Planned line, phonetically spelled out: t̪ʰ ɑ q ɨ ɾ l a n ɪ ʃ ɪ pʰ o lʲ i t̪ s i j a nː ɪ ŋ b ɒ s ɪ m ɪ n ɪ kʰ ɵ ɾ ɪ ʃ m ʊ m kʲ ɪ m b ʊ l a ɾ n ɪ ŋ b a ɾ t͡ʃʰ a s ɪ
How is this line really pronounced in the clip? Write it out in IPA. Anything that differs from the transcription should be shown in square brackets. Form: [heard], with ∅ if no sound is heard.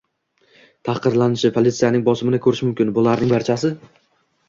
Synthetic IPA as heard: t̪ʰ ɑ q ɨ ɾ l a n ɪ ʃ ɪ pʰ o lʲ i t̪ s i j a [n] ɪ ŋ b ɒ s ɪ m ɪ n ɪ kʰ ɵ ɾ ɪ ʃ m ʊ m kʲ ɪ [n] b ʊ l a ɾ n ɪ ŋ b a ɾ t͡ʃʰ a s ɪ